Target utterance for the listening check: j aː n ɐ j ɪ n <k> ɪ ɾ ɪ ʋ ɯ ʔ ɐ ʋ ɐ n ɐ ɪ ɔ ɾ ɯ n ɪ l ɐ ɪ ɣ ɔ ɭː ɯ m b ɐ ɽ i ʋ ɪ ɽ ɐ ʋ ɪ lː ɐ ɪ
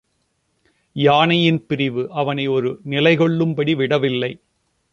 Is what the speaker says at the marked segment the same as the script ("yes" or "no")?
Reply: no